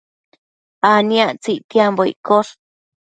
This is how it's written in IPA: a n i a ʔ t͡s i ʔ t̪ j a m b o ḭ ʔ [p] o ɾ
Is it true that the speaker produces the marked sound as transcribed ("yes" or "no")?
no